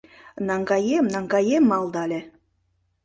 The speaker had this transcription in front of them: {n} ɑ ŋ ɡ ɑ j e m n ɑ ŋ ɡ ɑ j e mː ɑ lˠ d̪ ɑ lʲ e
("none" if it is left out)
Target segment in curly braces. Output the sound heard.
n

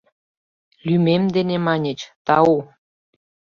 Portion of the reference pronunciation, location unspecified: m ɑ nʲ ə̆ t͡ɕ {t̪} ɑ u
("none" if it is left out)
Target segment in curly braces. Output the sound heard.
t̪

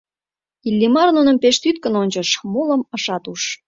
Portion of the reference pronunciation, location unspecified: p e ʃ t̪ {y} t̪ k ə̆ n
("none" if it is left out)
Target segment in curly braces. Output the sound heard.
y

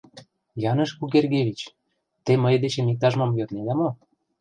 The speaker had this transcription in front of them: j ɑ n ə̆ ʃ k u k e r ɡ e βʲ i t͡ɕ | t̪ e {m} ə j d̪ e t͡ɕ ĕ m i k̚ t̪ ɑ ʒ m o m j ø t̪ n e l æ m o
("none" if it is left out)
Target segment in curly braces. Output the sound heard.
m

